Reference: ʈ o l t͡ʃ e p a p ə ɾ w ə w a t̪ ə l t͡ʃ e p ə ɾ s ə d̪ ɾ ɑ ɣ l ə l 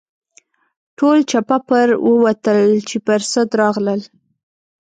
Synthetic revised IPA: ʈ o l t͡ʃ a p a p ə ɾ w ə w a t̪ ə l t͡ʃ e p ə ɾ s ə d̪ ɾ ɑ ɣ l ə l